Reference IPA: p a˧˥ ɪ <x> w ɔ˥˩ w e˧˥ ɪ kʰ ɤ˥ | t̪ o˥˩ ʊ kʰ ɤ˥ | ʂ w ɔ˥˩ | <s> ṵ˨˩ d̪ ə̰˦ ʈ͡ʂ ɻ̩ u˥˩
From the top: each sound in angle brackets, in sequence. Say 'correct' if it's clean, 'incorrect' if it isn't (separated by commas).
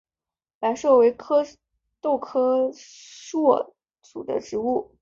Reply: incorrect, incorrect